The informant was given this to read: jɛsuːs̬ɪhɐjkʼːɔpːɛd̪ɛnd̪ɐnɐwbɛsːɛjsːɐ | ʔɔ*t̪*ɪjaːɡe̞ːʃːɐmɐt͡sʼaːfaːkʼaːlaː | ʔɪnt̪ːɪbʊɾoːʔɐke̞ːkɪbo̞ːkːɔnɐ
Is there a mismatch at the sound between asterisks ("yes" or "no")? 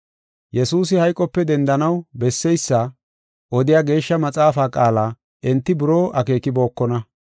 yes